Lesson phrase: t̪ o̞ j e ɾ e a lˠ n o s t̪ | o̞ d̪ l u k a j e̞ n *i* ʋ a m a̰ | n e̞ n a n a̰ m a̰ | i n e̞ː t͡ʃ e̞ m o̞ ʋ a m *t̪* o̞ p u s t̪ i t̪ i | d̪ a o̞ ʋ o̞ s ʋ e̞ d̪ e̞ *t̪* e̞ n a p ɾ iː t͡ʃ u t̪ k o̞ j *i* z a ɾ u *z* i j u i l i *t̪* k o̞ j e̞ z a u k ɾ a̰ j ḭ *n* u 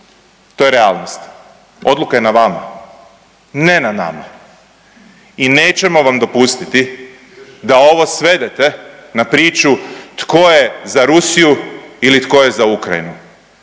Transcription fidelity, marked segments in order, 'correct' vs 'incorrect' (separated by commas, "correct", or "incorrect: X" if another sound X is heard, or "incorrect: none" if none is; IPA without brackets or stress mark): incorrect: a, incorrect: d̪, correct, incorrect: e, incorrect: s, correct, correct